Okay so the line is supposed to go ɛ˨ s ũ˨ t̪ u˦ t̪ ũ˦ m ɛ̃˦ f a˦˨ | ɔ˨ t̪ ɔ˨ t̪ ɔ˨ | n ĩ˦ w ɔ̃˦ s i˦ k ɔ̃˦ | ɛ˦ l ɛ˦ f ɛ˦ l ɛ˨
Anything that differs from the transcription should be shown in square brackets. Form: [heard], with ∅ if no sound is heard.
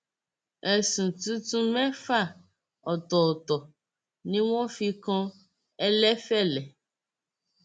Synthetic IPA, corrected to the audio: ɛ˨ s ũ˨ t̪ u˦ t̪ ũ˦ m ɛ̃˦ f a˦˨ | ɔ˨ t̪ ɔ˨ t̪ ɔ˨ | n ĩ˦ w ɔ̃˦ [f] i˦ k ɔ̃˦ | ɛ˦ l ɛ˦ f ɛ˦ l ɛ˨